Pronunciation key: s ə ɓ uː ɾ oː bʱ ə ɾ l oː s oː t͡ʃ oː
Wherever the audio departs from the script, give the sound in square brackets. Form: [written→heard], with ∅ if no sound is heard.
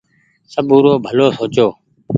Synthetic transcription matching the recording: s ə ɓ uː ɾ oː bʱ ə [ɾ→∅] l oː s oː t͡ʃ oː